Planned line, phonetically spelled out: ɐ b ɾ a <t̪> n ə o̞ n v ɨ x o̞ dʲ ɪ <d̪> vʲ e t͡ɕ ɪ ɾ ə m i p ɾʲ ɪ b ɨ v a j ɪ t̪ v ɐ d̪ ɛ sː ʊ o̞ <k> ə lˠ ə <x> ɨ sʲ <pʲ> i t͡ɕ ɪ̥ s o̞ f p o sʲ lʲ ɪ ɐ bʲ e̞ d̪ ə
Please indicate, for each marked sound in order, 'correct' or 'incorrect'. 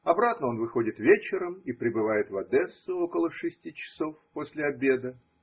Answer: correct, incorrect: t̪, correct, incorrect: ʂ, incorrect: tʲ

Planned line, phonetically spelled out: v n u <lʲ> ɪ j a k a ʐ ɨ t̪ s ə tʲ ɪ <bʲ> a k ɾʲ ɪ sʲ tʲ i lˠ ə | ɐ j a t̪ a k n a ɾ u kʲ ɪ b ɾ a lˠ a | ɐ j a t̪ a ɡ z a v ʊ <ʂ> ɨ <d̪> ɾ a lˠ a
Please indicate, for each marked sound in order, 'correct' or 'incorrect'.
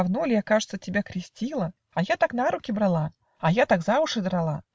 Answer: correct, correct, correct, correct

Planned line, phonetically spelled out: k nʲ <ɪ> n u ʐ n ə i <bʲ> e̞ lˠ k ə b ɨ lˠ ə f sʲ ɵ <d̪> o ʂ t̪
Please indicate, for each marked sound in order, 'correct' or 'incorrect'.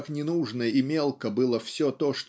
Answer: correct, incorrect: mʲ, incorrect: t̪

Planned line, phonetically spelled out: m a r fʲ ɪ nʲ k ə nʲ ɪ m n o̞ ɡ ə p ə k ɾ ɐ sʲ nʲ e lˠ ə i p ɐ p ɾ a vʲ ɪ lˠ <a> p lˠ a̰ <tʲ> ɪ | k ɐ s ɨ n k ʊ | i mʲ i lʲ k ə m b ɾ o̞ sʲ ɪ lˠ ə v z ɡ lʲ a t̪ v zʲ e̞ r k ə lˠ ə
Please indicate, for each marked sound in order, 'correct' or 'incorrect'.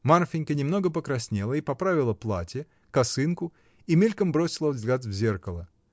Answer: incorrect: ə, correct

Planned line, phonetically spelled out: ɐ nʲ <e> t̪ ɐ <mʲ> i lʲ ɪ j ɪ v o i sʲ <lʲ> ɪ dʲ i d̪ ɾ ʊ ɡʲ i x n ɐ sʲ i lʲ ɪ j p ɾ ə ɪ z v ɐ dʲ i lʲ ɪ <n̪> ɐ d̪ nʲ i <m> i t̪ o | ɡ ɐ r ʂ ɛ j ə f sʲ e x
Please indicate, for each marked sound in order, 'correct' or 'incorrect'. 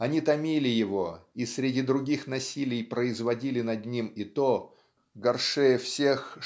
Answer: incorrect: i, correct, incorrect: ɾʲ, correct, correct

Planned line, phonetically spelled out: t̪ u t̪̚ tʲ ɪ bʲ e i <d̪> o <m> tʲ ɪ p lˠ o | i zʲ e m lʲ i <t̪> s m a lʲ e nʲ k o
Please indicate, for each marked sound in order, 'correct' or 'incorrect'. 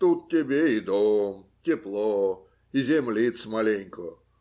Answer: correct, correct, correct

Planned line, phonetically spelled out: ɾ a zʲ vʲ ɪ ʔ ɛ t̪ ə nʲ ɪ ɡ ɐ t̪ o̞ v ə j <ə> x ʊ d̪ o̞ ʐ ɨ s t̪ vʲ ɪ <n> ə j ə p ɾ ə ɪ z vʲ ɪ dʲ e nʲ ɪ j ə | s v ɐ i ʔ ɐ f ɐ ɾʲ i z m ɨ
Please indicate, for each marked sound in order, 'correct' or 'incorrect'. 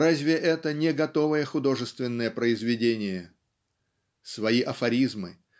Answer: correct, incorrect: nː

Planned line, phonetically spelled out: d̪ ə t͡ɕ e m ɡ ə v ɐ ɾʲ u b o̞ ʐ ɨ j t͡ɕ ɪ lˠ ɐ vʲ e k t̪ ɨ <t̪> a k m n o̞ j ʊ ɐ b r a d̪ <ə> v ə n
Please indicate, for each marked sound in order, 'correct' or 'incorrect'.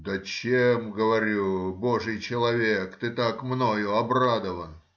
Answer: correct, correct

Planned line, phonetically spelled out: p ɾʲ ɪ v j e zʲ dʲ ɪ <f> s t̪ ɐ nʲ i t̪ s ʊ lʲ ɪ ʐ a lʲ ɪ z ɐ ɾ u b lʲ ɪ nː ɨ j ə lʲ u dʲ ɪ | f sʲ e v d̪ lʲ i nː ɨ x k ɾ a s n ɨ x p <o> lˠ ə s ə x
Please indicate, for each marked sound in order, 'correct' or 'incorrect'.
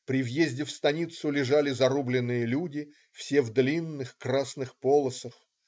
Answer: correct, correct

